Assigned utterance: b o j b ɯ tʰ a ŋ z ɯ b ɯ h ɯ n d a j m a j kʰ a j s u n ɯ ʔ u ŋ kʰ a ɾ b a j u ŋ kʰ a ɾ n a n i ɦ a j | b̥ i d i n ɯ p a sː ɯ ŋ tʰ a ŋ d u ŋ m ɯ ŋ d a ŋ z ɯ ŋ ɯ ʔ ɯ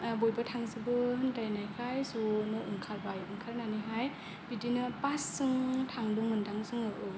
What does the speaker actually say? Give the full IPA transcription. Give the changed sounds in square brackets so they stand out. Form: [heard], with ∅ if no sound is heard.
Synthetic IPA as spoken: b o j b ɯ tʰ a ŋ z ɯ b ɯ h ɯ n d a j [n] a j kʰ a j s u n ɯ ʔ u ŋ kʰ a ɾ b a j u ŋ kʰ a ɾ n a n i ɦ a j | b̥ i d i n ɯ p a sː ɯ ŋ tʰ a ŋ d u ŋ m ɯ [n] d a ŋ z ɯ ŋ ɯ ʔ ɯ